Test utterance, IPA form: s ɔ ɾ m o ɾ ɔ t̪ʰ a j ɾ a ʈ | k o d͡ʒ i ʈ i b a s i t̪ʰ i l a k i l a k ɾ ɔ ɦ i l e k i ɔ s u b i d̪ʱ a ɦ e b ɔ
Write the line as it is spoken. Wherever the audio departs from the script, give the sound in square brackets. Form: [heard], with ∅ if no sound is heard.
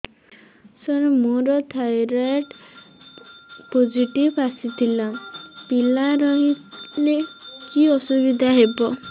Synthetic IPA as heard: s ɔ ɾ m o ɾ ɔ t̪ʰ a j ɾ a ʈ | [p] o d͡ʒ i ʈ i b a s i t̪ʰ i l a [p] i l a [∅] ɾ ɔ ɦ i l e k i ɔ s u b i d̪ʱ a ɦ e b ɔ